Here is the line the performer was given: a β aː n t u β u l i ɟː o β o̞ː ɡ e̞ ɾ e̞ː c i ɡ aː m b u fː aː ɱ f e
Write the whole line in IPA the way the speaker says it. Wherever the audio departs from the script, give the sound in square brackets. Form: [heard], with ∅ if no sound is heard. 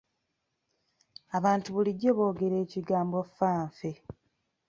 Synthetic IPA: a β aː n t u β u l i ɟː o β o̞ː ɡ e̞ ɾ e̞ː c i ɡ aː m b [o] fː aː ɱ f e